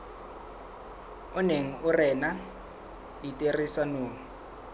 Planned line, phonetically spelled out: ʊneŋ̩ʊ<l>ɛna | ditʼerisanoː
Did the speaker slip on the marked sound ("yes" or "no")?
yes